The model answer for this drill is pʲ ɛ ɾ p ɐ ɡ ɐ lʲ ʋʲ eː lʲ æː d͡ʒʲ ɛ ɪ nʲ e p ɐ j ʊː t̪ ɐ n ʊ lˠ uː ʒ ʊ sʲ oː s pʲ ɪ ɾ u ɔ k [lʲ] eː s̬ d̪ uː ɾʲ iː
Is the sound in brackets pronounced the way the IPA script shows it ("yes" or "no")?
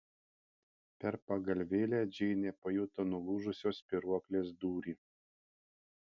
yes